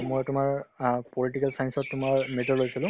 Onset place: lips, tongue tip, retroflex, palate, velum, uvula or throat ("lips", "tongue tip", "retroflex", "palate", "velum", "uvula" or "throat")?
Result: lips